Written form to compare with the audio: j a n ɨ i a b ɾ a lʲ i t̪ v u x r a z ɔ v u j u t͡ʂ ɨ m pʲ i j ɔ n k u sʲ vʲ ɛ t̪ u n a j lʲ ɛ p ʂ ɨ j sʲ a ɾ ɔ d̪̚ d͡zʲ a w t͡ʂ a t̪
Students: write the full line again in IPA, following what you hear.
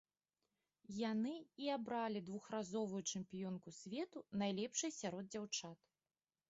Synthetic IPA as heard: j a n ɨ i a b ɾ a lʲ i d̪ v u x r a z ɔ v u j u t͡ʂ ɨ m pʲ i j ɔ n k u sʲ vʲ ɛ t̪ u n a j lʲ ɛ p ʂ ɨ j sʲ a ɾ ɔ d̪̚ d͡zʲ a w t͡ʂ a t̪